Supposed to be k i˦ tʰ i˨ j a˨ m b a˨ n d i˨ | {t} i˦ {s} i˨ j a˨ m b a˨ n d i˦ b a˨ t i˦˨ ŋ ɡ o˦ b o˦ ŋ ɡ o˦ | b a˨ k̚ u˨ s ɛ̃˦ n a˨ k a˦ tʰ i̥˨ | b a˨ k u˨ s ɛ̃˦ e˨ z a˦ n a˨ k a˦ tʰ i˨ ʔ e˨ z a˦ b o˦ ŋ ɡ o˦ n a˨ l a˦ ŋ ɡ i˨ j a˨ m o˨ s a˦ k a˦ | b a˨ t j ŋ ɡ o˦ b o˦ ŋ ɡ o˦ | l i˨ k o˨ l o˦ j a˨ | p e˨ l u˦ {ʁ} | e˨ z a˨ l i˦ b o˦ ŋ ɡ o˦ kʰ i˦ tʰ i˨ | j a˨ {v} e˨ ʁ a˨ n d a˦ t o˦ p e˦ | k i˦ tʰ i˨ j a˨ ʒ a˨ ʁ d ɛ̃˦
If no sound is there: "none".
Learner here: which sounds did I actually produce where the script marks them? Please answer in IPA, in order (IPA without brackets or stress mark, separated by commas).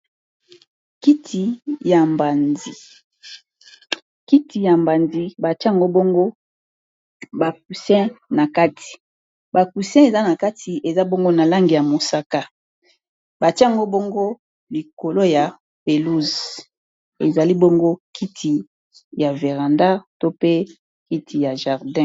k, t, z, v